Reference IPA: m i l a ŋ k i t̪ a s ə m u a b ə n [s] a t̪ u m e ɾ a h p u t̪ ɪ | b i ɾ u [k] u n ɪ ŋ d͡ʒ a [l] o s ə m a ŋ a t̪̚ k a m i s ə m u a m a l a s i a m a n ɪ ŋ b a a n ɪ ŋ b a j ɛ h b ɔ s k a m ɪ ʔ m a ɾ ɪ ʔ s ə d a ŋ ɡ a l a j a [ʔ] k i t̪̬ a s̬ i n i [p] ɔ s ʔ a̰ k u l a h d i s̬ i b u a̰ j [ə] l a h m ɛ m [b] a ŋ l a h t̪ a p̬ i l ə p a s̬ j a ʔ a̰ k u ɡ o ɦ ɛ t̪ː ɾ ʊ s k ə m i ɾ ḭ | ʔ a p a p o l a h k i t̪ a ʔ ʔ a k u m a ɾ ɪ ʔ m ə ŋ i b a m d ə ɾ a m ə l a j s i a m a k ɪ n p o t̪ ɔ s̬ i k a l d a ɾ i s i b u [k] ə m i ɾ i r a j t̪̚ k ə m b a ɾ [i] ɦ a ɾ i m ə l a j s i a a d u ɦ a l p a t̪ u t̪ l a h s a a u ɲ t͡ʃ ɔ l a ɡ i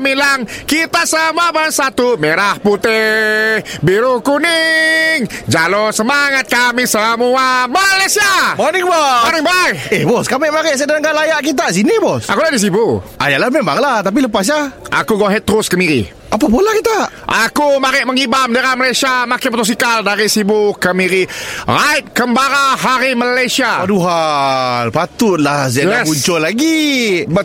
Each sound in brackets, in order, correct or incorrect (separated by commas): correct, correct, correct, correct, incorrect, incorrect, correct, correct, incorrect